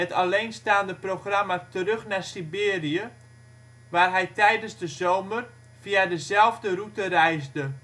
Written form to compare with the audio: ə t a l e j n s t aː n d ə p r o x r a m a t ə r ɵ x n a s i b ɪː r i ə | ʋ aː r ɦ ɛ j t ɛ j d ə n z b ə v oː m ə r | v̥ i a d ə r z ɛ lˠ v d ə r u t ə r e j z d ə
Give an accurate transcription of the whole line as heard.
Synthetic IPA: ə t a l e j n s t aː n d ə p r o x r a m a t ə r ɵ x n a s i b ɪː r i ə | ʋ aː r ɦ ɛ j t ɛ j d ə n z d ə z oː m ə r | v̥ i a d ə z ɛ lˠ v d ə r u t ə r ɛ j z d ə

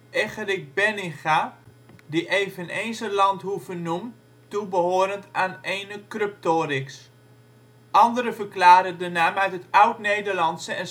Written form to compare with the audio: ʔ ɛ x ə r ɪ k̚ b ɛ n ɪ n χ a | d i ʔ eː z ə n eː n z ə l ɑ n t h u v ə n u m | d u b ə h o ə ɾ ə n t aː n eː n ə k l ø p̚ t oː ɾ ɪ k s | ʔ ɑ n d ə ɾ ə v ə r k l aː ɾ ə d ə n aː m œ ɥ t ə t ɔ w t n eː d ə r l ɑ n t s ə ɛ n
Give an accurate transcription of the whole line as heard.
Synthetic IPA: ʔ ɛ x ə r ɪ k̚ b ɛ n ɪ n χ a | d i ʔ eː v ə n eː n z ə l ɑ n t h u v ə n u m | t u b ə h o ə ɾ ə n t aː n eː n ə k r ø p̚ t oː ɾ ɪ k s | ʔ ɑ n d ə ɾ ə v ə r k l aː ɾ ə d ə n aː m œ ɥ t ə t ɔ w t n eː d ə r l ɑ n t s ə ɛ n

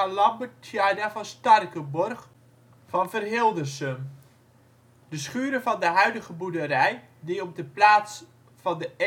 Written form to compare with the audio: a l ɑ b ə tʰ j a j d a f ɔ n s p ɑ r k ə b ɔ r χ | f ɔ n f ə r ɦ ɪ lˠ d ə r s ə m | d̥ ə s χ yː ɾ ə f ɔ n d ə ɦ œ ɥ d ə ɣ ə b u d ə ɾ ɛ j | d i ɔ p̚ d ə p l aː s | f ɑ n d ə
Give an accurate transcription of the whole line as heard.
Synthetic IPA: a l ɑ b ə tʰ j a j d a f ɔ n s t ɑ r k ə b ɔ r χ | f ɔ n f ə r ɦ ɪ lˠ d ə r s ə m | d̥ ə s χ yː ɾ ə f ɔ n d ə ɦ œ ɥ d ə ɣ ə b u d ə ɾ ɛ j | d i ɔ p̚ d ə p l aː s | f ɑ n d ə

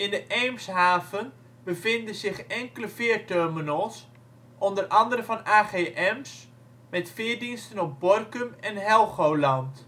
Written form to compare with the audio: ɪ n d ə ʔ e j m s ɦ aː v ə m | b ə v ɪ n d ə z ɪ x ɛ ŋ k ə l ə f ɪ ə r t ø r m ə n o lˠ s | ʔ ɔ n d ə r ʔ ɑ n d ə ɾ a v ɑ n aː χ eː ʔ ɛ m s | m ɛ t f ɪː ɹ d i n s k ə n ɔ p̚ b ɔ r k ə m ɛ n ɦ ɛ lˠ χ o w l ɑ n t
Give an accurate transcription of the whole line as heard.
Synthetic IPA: ɪ n d ə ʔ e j m s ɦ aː v ə n | b ə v ɪ n d ə z ɪ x ɛ ŋ k ə l ə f ɪ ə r t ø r m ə n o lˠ s | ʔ ɔ n d ə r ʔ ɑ n d ə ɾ ə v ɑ n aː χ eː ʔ ɛ m s | m ɛ t f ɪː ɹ d i n s t ə n ɔ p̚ b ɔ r k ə m ɛ n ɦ ɛ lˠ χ o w l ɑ n t

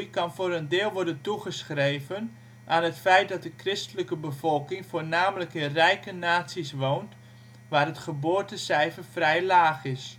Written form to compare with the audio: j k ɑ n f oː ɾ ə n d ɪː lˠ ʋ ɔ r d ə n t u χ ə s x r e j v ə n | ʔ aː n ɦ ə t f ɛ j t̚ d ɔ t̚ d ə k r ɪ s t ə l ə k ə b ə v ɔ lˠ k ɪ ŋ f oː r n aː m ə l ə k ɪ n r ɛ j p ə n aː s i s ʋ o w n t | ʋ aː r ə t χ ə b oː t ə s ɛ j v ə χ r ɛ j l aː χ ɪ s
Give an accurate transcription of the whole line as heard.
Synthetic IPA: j k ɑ n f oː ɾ ə n d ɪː lˠ ʋ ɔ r d ə n t u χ ə s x r e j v ə n | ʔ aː n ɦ ə t f ɛ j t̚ d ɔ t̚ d ə k r ɪ s t ə l ə k ə b ə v ɔ lˠ k ɪ ŋ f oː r n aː m ə l ə k ɪ n r ɛ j k ə n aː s i s ʋ o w n t | ʋ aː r ə t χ ə b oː t ə s ɛ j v ə f r ɛ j l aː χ ɪ s

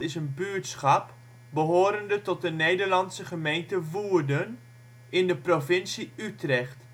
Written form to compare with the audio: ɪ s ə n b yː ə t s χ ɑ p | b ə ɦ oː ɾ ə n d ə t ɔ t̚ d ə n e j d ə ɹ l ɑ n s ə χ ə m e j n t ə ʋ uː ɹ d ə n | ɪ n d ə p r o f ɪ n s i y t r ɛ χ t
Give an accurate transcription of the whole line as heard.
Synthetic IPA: ɪ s ə n b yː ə t s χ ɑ p | b ə ɦ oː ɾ ə n d ə t ɔ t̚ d ə n e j d ə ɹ l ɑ n s ə χ ə m e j n t ə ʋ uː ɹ d ə n | ɪ n d ə p r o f ɪ n s i y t r ɛ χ t

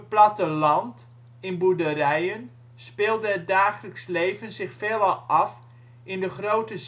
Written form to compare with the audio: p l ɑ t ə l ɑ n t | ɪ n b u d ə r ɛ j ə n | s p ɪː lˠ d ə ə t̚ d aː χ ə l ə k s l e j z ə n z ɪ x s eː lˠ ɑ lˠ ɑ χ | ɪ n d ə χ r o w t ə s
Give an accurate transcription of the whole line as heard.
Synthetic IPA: p l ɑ t ə l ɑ n t | ɪ n b u d ə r ɛ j ə n | s p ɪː lˠ d ə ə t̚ d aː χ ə l ə k s l e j v ə n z ɪ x f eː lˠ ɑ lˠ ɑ f | ɪ n d ə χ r o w t ə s

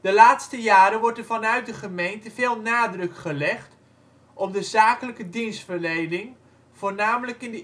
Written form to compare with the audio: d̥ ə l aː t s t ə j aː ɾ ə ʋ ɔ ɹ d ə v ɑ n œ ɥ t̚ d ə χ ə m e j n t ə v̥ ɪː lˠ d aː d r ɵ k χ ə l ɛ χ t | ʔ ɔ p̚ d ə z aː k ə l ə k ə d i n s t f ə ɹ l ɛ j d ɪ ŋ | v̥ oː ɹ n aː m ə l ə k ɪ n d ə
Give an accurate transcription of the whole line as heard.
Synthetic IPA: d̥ ə l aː t s t ə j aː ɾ ə ʋ ɔ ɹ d ə v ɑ n œ ɥ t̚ d ə χ ə m e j n t ə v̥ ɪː lˠ n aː d r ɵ k χ ə l ɛ χ t | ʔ ɔ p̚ d ə z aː k ə l ə k ə d i n s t f ə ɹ l e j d ɪ ŋ | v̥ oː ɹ n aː m ə l ə k ɪ n d ə

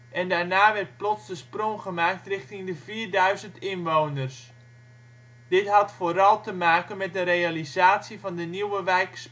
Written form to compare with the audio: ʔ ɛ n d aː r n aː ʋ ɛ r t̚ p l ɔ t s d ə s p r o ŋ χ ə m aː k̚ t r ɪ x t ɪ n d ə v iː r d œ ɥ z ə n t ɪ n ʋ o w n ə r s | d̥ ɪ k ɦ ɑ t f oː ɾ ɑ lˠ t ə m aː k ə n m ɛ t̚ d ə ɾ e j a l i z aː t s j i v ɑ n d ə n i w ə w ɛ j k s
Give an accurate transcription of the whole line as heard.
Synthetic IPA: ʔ ɛ n d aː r n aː ʋ ɛ r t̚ p l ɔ t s d ə s p r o ŋ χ ə m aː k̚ t r ɪ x t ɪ ŋ d ə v iː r d œ ɥ z ə n t ɪ n ʋ o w n ə r s | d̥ ɪ t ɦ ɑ t f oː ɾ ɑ lˠ t ə m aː k ə n m ɛ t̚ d ə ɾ e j a l i z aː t s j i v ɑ n d ə n i w ə ʋ ɛ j k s

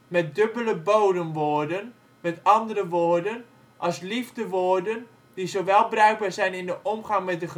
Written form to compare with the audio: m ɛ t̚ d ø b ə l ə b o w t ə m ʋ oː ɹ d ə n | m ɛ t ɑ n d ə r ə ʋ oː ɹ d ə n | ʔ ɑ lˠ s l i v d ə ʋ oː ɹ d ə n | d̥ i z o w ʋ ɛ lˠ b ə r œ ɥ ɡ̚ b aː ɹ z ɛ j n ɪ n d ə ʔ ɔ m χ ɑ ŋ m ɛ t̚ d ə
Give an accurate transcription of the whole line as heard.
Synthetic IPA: m ɛ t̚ d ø b ə l ə b o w d ə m ʋ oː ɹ d ə n | m ɛ t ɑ n d ə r ə ʋ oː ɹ d ə n | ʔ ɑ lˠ s l i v d ə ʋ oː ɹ d ə n | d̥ i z o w ʋ ɛ lˠ b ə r œ ɥ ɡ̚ b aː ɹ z ɛ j n ɪ n d ə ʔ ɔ m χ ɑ ŋ m ɛ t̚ d ə

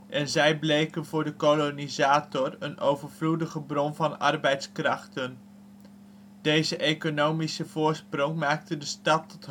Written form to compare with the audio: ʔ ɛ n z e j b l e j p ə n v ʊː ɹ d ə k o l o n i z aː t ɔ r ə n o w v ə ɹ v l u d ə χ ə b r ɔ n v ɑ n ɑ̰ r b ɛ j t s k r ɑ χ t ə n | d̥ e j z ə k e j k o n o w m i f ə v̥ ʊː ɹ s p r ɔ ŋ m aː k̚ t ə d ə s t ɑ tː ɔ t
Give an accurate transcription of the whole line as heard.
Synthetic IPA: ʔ ɛ n z ɛ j b l e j k ə n v ʊː ɹ d ə k o l o n i z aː t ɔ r ə n o w v ə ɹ v l u d ə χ ə b r ɔ n v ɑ n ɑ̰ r b ɛ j t s k r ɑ χ t ə n | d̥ e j z ə ʔ e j k o n o w m i s ə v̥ ʊː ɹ s p r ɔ ŋ m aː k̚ t ə d ə s t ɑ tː ɔ t

